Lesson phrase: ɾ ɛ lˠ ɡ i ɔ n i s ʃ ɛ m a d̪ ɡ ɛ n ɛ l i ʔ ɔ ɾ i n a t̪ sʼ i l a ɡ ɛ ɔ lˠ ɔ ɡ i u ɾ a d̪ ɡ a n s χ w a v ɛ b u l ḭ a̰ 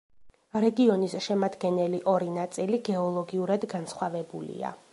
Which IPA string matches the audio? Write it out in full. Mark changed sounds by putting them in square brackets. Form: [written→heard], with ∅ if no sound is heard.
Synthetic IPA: ɾ ɛ [lˠ→∅] ɡ i ɔ n i s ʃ ɛ m a d̪ ɡ ɛ n ɛ l i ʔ ɔ ɾ i n a t̪ sʼ i l [a→i] ɡ ɛ ɔ lˠ ɔ ɡ i u ɾ a d̪ ɡ a n s χ w a v ɛ b u l ḭ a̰